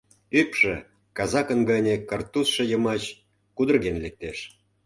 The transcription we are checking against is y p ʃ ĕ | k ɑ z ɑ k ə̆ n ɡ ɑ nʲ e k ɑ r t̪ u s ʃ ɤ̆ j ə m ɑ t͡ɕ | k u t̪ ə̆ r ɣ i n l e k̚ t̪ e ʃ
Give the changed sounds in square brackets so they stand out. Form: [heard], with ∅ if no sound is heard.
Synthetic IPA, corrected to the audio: y p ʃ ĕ | k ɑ z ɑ k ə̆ n ɡ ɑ nʲ e k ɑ r t̪ u s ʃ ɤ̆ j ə m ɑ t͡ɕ | k u [d̪] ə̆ r ɣ [e] n l e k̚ t̪ e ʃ